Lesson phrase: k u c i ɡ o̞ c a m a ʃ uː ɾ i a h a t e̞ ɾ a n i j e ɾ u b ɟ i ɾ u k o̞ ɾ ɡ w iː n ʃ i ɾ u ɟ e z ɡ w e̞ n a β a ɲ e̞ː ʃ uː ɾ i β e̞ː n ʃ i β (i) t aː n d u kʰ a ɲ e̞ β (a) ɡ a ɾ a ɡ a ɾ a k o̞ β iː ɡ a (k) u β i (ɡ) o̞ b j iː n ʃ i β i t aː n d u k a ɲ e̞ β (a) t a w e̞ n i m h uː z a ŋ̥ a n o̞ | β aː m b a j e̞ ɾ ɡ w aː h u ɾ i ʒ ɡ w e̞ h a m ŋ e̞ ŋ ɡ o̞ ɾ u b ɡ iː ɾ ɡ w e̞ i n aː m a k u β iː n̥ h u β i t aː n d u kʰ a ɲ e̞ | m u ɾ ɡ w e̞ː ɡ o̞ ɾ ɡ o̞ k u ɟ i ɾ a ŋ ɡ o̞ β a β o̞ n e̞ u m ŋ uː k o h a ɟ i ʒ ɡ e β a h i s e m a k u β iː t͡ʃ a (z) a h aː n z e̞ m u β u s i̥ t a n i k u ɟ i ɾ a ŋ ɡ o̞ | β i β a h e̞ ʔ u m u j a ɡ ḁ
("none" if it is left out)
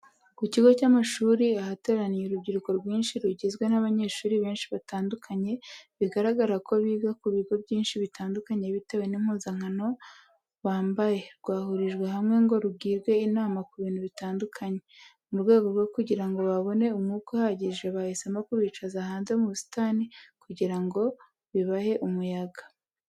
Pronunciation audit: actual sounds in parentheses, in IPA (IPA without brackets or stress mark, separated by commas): a, i, k, ɡ, i, z